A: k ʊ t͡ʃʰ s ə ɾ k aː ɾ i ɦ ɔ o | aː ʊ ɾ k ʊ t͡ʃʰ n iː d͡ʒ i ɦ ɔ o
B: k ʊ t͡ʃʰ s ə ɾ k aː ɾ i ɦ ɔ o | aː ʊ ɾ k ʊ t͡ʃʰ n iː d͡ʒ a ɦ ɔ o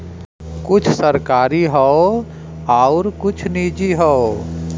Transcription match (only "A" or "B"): A